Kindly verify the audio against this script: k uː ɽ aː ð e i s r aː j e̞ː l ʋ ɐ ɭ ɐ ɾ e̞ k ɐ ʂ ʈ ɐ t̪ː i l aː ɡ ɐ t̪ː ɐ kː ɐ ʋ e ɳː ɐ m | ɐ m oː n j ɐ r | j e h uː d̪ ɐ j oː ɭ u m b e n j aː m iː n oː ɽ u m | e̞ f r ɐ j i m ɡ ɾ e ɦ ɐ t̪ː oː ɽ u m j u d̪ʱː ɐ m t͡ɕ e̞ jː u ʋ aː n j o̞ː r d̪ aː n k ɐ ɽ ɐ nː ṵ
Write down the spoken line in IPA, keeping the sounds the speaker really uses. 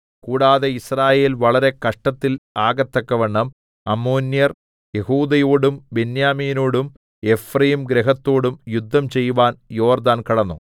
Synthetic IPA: k uː ɽ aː ð e i s r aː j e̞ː l ʋ ɐ ɭ ɐ ɾ e̞ k ɐ ʂ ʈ ɐ t̪ː i l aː ɡ ɐ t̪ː ɐ kː ɐ ʋ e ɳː ɐ m | ɐ m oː n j ɐ r | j e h uː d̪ ɐ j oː ɽ u m b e n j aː m iː n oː ɽ u m | e̞ f r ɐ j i m ɡ ɾ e ɦ ɐ t̪ː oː ɽ u m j u d̪ʱː ɐ m t͡ɕ e̞ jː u ʋ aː n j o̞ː r d̪ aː n k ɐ ɽ ɐ nː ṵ